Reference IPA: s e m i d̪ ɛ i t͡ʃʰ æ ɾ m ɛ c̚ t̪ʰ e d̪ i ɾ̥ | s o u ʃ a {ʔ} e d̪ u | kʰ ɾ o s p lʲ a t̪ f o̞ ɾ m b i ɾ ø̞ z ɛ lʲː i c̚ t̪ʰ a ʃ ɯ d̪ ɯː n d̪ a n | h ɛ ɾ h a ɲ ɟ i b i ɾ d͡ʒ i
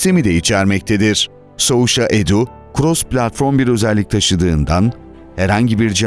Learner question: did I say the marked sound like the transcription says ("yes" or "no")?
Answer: yes